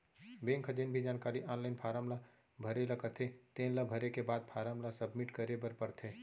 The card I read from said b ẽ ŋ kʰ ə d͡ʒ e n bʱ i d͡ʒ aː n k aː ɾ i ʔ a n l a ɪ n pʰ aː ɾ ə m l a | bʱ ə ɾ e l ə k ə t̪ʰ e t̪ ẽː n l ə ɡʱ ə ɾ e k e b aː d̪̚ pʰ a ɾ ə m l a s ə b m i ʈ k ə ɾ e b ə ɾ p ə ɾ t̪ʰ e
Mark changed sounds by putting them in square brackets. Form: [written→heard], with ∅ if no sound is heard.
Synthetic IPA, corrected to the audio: b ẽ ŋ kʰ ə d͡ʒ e n bʱ i d͡ʒ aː n k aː ɾ i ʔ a n l a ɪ n pʰ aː ɾ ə m l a | bʱ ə ɾ e l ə k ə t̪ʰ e t̪ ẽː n l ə [ɡʱ→bʱ] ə ɾ e k e b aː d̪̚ pʰ a ɾ ə m l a s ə b m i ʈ k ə ɾ e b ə ɾ p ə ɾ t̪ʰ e